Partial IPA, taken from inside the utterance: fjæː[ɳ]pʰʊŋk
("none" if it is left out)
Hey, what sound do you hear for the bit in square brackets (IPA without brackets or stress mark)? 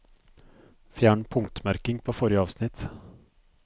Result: ɳ